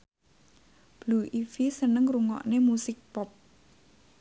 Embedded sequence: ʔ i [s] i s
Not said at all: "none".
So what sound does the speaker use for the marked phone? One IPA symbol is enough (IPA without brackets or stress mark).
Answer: f